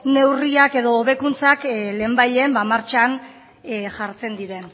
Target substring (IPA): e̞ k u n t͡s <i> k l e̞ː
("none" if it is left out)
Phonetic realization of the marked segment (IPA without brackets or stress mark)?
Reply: a